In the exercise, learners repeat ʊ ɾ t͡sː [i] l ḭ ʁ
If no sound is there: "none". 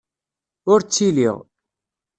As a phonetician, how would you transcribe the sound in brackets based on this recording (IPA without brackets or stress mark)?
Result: i